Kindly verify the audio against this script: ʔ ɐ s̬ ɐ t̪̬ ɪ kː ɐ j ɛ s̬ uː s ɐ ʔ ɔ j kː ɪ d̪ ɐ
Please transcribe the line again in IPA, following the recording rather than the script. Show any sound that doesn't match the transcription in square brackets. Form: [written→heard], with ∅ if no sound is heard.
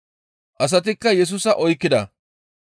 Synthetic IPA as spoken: ʔ ɐ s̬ ɐ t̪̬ ɪ kː ɐ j ɛ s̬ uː s ɐ ʔ ɔ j kː ɪ d̪ ɐ